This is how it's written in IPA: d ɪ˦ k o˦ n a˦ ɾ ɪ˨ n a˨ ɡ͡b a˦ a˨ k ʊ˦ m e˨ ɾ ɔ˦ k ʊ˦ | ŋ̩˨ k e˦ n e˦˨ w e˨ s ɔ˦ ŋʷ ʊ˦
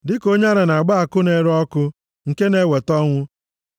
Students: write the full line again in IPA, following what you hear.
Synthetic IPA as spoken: d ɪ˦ k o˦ ɲ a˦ ɾ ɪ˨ n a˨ ɡ͡b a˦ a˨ k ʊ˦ n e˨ ɾ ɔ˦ k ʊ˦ | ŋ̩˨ k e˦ n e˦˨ w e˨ t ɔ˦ ŋʷ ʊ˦